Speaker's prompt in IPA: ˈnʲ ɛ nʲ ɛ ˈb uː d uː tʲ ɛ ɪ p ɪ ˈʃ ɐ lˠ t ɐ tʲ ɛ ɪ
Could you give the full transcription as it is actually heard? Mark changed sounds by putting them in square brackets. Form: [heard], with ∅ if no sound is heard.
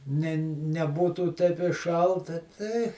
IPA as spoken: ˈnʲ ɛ nʲ ɛ ˈb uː [t] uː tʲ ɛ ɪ p ɪ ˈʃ ɐ lˠ t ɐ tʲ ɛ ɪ